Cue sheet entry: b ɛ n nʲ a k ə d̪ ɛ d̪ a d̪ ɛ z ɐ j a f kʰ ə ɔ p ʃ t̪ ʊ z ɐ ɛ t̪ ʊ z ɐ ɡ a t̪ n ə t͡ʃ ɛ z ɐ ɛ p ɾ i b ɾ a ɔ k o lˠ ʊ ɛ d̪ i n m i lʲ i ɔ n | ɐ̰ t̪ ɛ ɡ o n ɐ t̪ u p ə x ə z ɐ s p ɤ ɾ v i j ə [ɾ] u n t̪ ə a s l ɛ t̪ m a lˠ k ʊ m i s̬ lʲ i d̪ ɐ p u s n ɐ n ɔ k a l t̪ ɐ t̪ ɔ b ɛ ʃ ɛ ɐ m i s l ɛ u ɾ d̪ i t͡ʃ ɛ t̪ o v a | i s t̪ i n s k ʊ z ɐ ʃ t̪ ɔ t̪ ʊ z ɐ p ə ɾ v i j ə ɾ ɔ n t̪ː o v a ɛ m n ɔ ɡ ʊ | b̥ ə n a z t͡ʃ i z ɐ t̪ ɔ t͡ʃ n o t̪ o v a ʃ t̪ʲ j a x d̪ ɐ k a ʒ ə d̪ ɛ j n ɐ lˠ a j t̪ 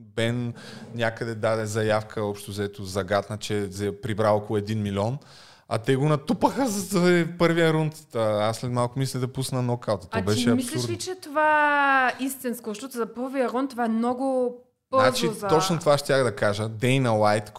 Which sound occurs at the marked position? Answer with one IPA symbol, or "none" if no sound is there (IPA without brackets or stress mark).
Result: ɾ